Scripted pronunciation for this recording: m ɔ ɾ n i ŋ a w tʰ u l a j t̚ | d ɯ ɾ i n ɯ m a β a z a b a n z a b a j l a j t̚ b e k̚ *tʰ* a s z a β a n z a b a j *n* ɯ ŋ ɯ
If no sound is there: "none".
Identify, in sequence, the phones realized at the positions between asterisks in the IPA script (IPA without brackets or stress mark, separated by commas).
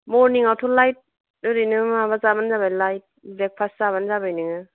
pʰ, n